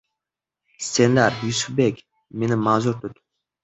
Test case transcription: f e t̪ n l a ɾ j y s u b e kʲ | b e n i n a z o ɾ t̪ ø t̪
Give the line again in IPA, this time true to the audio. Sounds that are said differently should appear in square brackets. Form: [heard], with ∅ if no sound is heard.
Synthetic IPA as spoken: [s] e [∅] n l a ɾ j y s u b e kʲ | [m] e n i [m] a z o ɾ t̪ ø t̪